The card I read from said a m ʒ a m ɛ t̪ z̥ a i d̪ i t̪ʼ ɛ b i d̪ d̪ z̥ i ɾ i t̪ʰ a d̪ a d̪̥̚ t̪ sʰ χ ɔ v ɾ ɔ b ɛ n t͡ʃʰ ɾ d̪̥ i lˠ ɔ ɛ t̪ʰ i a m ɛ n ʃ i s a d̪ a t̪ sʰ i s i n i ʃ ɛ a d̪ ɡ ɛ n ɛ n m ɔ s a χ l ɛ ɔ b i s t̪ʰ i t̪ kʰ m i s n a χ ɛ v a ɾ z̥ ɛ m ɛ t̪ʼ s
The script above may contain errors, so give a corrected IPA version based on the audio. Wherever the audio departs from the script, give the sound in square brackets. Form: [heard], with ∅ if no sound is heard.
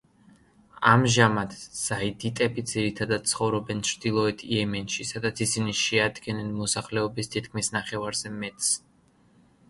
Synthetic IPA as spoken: a m ʒ a m [a] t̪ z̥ a i d̪ i t̪ʼ ɛ b i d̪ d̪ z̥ i ɾ i t̪ʰ a d̪ a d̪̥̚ t̪ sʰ χ ɔ v ɾ ɔ b ɛ n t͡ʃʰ ɾ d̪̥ i lˠ ɔ ɛ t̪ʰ i [ɛ] m ɛ n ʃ i s a d̪ a t̪ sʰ i s i n i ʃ ɛ a d̪ ɡ ɛ n ɛ n m ɔ s a χ l ɛ ɔ b i s t̪ʰ i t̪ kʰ m i s n a χ ɛ v a ɾ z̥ ɛ m ɛ t̪ʼ s

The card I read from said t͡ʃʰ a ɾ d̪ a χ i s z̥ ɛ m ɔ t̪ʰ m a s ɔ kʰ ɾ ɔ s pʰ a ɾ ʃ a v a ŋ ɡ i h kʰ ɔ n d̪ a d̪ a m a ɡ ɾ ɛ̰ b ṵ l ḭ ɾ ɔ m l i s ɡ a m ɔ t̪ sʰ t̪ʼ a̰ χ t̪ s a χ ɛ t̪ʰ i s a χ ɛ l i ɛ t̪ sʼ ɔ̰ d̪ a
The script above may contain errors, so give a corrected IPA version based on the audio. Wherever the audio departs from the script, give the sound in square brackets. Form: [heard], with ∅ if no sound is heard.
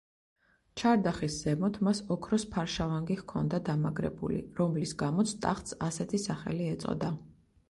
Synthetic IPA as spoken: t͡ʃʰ a ɾ d̪ a χ i s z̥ ɛ m ɔ t̪ʰ m a s ɔ kʰ ɾ ɔ s pʰ a ɾ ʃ a v a ŋ ɡ i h kʰ ɔ n d̪ a d̪ a m a ɡ ɾ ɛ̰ b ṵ l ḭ ɾ ɔ m l i s ɡ a m ɔ t̪ sʰ t̪ʼ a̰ χ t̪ s a [s] ɛ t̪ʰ i s a χ ɛ l i ɛ t̪ sʼ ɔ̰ d̪ a

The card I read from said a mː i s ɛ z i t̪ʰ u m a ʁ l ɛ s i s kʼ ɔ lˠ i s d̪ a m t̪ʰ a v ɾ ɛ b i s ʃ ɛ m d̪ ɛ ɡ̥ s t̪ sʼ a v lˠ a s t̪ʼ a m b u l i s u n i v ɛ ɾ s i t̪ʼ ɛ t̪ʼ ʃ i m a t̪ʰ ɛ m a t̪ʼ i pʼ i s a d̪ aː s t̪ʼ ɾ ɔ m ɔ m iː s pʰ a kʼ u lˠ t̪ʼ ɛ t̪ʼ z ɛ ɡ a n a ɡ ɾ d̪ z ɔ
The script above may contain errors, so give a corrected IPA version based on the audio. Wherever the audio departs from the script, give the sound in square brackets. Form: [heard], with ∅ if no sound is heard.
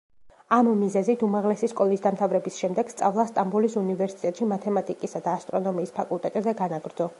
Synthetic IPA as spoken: a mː i [z] ɛ z i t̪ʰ u m a ʁ l ɛ s i s kʼ ɔ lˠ i s d̪ a m t̪ʰ a v ɾ ɛ b i s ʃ ɛ m d̪ ɛ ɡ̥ s t̪ sʼ a v lˠ a s t̪ʼ a m b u l i s u n i v ɛ ɾ s i t̪ʼ ɛ t̪ʼ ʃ i m a t̪ʰ ɛ m a t̪ʼ i [kʼ] i s a d̪ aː s t̪ʼ ɾ ɔ [n] ɔ m iː s pʰ a kʼ u lˠ t̪ʼ ɛ t̪ʼ z ɛ ɡ a n a ɡ ɾ d̪ z ɔ

